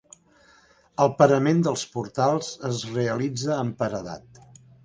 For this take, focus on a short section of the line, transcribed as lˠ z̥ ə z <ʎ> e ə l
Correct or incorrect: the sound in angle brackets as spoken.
incorrect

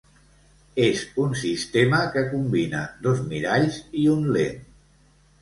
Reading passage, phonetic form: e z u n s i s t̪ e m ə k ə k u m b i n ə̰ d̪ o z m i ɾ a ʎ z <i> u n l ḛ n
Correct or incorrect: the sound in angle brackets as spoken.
correct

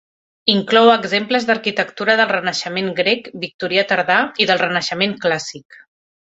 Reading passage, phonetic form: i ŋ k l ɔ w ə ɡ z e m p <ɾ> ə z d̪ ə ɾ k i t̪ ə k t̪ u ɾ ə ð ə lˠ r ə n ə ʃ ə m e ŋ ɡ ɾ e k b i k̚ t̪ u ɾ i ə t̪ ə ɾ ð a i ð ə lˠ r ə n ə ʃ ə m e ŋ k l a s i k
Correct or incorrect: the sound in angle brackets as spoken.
incorrect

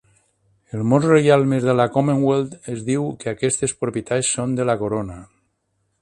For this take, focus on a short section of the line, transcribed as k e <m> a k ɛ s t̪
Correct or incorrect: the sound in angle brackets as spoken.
incorrect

